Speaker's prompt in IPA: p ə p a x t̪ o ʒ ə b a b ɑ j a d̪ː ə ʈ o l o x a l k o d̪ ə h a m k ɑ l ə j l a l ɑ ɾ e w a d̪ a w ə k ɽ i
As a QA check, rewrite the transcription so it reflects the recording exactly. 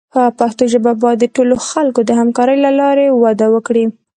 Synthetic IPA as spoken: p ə p a x t̪ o ʒ ə b a b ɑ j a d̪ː ə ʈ o l o x a l k o d̪ ə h a m k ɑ ɾ ə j l a l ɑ ɾ e w a d̪ a w ə k ɽ i